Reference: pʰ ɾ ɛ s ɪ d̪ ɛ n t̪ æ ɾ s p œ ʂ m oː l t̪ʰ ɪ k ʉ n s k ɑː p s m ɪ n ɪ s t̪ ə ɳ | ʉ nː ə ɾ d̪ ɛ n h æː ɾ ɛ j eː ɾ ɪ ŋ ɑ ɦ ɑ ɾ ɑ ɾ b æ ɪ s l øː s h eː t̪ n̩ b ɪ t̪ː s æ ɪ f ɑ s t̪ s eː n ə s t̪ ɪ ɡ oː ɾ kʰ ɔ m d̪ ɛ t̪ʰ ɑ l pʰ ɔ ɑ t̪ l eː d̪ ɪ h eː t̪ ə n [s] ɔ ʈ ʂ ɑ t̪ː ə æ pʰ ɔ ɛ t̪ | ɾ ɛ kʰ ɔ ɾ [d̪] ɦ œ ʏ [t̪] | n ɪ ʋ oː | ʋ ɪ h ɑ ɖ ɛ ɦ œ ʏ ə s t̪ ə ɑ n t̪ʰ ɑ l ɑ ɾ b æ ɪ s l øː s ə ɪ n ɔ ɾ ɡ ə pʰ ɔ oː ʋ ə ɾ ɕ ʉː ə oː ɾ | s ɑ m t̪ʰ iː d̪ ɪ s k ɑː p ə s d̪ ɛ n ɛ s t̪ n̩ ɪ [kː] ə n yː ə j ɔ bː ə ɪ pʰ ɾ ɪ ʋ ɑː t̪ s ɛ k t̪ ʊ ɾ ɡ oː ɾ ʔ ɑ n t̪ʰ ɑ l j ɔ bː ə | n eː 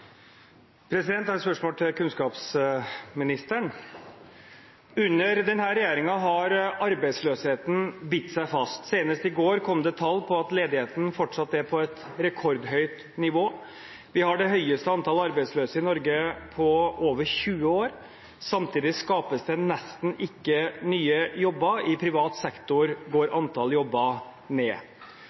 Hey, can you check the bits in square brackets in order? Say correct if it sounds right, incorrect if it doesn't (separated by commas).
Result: incorrect, correct, correct, correct